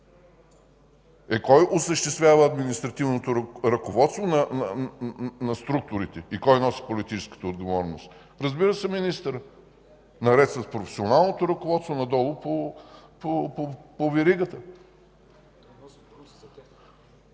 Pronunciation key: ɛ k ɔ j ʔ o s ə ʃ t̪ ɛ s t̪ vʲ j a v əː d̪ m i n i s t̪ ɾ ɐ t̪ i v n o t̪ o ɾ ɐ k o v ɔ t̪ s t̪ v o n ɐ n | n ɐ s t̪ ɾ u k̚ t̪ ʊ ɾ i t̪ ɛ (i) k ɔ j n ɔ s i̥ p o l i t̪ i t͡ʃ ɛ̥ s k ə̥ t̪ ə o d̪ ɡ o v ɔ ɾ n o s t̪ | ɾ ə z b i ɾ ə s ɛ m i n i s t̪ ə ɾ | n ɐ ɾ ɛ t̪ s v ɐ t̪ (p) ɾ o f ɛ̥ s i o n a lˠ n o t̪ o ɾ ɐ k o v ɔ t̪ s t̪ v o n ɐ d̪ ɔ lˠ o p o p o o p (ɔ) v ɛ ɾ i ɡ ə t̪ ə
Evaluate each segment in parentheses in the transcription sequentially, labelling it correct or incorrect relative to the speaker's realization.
correct, correct, incorrect: o

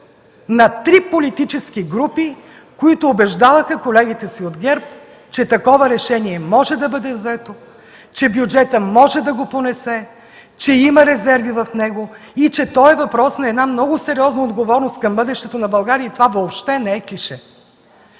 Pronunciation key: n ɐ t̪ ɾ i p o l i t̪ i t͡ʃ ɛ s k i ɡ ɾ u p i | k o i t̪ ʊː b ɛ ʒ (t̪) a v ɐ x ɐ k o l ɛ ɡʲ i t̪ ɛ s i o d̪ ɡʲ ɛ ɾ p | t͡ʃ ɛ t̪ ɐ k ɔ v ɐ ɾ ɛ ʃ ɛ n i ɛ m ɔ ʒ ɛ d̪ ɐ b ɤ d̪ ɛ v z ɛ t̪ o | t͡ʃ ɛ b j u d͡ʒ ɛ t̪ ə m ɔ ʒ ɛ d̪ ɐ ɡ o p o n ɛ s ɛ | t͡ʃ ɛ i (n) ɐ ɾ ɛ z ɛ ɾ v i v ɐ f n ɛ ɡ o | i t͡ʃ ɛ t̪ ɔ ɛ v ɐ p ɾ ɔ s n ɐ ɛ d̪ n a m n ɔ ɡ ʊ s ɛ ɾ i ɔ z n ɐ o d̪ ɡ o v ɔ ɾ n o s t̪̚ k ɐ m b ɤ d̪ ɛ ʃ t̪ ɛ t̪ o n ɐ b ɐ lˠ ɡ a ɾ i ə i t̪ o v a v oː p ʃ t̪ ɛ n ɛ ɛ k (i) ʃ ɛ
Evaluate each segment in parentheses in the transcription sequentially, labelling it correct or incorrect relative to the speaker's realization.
incorrect: d̪, incorrect: m, correct

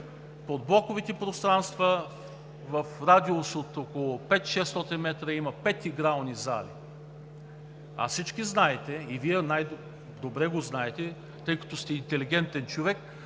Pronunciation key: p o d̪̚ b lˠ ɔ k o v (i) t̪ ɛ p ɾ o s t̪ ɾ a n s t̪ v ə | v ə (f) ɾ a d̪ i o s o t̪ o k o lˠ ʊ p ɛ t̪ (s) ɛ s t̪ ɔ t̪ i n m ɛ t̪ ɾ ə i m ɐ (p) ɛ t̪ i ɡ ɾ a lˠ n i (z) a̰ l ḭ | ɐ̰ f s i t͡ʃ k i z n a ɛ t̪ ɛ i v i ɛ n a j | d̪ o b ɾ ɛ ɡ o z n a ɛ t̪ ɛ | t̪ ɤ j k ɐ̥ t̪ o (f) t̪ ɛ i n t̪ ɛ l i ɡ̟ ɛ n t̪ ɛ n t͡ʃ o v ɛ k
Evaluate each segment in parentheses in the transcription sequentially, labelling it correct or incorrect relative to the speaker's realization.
correct, correct, incorrect: ʃ, correct, correct, incorrect: s

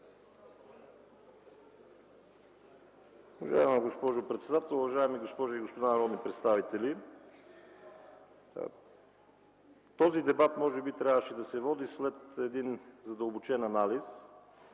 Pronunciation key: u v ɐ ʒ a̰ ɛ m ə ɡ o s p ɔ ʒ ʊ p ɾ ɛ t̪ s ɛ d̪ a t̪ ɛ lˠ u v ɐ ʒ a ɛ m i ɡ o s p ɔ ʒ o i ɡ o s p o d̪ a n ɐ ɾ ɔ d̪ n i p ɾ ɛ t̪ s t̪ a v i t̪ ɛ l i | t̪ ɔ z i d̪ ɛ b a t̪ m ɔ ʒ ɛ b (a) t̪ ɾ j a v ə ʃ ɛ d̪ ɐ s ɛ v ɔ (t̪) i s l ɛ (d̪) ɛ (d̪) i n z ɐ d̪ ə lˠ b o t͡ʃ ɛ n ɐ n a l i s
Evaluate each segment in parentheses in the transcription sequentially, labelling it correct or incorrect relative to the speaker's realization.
incorrect: i, incorrect: d̪, incorrect: t̪, correct

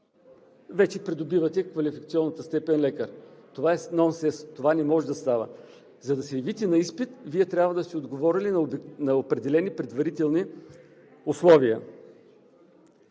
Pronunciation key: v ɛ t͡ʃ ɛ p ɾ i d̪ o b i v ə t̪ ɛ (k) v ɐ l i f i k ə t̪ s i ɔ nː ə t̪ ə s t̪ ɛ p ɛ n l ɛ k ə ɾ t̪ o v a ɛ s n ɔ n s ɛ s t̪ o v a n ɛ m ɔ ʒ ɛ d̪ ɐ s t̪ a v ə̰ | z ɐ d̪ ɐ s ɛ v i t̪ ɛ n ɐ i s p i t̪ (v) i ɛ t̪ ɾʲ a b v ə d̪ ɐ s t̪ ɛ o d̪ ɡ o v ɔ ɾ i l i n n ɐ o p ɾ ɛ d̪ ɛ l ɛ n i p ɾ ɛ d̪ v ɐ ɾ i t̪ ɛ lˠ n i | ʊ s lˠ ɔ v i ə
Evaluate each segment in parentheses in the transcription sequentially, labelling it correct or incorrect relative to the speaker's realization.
correct, correct

